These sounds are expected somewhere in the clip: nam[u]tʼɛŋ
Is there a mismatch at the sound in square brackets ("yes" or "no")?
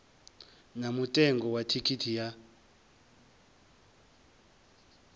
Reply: no